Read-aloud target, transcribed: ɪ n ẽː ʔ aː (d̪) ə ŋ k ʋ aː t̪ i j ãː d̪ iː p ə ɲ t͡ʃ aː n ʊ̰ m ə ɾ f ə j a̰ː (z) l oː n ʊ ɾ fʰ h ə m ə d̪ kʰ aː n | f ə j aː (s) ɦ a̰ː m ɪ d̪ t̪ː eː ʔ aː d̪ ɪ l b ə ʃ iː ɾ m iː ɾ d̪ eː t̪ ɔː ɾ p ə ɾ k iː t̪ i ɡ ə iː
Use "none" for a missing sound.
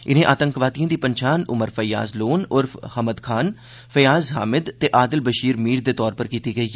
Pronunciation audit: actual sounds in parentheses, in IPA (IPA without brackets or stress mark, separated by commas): t̪, z, z